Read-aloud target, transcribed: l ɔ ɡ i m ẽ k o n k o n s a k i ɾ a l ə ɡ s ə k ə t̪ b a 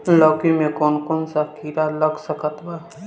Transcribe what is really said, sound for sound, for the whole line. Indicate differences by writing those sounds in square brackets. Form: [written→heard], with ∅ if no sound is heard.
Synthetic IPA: l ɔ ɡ i m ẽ k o n k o n s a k i ɾ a l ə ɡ s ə k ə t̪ b a